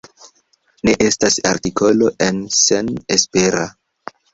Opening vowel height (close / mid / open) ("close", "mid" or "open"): mid